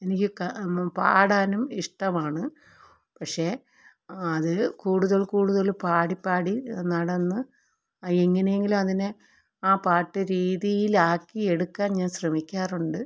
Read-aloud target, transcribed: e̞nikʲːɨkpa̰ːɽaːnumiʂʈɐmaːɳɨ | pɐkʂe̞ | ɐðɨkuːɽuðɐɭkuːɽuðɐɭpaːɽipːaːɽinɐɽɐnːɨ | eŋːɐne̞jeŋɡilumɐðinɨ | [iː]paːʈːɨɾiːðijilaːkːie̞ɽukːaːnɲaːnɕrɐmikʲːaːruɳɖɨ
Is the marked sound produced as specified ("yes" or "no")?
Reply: no